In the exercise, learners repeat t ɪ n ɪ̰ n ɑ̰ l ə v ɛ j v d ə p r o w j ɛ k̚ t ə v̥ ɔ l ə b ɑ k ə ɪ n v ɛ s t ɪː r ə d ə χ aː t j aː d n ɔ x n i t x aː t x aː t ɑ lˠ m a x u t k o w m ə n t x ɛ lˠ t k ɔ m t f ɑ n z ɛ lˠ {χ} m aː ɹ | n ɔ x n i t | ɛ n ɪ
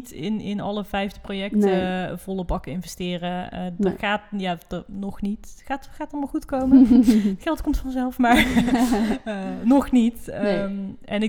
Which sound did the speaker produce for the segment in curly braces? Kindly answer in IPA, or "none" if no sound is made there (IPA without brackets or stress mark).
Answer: f